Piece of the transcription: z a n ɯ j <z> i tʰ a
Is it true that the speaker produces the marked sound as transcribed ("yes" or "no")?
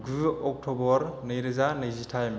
yes